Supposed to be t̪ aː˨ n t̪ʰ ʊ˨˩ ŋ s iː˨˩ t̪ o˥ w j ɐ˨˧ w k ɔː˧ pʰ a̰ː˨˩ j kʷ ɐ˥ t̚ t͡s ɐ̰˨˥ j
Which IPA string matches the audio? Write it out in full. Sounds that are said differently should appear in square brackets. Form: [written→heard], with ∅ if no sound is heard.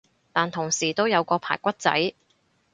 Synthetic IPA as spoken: t̪ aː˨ n t̪ʰ ʊ˨˩ ŋ s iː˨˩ t̪ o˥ w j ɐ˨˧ w k ɔː˧ pʰ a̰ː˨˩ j kʷ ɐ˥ t̚ t͡s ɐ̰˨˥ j